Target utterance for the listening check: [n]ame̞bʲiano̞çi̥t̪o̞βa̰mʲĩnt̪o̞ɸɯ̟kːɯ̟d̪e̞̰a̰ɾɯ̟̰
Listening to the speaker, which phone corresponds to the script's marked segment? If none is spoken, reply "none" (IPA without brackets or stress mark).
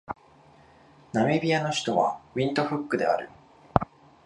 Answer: n